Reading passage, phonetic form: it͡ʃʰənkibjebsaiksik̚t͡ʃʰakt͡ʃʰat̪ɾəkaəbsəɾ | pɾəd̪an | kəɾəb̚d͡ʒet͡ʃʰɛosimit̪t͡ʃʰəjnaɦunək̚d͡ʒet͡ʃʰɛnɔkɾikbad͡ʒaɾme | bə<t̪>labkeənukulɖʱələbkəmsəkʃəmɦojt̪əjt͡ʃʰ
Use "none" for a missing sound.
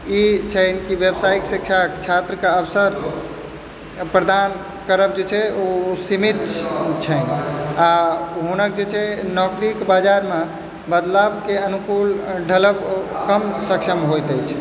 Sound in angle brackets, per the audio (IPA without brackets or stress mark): d̪